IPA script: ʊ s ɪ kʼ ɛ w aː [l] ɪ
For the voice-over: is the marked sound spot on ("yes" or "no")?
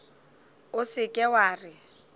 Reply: no